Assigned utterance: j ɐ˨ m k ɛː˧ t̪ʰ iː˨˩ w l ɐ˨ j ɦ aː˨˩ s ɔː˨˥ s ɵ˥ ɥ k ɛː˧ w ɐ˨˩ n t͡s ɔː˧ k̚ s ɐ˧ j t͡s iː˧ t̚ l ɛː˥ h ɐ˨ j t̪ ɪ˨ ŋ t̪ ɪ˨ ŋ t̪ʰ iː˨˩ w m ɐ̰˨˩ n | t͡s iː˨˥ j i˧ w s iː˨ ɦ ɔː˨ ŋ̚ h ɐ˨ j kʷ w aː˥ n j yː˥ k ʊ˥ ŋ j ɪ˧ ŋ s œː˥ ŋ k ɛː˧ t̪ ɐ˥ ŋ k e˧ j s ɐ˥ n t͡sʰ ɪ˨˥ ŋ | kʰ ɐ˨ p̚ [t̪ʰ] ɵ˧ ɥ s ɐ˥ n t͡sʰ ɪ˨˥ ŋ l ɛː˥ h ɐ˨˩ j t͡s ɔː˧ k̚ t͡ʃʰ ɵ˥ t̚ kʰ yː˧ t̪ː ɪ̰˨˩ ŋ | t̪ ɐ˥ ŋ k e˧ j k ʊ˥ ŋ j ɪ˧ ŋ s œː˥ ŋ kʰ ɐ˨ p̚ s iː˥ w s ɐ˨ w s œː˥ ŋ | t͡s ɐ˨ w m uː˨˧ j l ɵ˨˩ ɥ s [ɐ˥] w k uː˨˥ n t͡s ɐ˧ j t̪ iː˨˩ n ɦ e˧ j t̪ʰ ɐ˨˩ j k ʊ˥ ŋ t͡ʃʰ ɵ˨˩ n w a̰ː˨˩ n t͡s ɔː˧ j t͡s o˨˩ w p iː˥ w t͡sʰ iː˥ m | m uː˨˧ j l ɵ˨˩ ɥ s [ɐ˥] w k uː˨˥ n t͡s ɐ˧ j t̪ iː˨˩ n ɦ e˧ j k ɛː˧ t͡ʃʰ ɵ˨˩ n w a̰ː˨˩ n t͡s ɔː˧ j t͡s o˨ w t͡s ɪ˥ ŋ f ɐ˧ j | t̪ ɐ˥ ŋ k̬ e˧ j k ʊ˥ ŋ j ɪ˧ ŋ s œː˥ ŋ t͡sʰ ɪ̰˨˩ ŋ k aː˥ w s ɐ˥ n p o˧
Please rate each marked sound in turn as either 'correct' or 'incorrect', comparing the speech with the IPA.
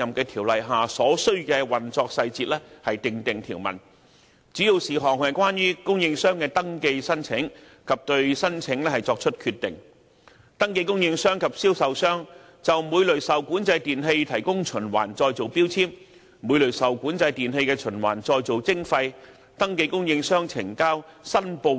incorrect: t̪, incorrect: ɐ˨, incorrect: ɐ˨

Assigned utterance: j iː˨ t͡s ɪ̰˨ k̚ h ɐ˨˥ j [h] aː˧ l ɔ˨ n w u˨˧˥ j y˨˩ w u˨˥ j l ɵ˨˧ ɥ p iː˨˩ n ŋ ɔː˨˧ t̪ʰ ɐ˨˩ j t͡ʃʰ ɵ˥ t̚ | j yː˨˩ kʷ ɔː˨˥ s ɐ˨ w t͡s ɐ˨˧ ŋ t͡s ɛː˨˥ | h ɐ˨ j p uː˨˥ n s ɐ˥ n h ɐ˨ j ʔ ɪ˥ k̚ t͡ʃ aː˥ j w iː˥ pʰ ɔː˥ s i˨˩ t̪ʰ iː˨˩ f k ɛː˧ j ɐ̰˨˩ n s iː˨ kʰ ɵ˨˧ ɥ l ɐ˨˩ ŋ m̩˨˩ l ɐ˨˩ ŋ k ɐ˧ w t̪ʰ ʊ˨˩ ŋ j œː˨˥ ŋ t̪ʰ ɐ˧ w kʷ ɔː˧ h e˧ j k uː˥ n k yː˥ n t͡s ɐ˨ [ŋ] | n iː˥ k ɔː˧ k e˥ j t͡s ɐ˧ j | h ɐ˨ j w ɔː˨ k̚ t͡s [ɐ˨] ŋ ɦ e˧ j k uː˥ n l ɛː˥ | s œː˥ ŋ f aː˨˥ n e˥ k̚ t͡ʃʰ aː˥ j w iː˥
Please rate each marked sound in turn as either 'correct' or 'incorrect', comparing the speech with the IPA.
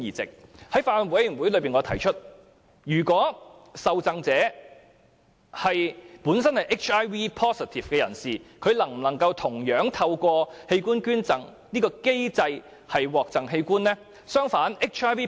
incorrect: f, correct, correct

